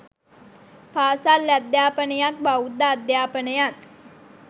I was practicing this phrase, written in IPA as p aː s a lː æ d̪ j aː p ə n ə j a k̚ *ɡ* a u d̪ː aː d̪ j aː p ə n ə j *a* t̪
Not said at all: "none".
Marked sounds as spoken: b, a

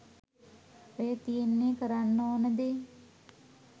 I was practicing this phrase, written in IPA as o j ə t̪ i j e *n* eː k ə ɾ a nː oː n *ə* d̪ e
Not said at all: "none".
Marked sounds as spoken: nː, ə

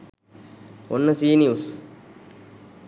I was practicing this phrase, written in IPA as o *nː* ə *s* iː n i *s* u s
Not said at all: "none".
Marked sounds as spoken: nː, s, none

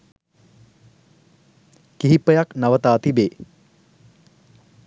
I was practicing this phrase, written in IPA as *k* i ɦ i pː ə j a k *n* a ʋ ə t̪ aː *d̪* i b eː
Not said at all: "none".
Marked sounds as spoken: k, n, t̪

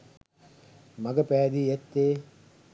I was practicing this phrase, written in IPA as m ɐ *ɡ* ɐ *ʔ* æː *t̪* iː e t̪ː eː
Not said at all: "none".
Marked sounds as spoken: ɡ, p, d̪

